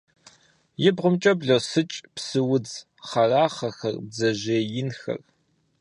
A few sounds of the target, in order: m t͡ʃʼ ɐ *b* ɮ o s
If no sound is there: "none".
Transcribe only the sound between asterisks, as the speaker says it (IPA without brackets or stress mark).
b